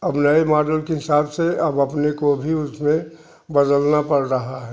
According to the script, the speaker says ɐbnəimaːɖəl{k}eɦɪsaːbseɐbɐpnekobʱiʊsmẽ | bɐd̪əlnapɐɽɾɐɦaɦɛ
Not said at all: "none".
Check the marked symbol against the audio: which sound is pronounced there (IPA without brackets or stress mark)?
k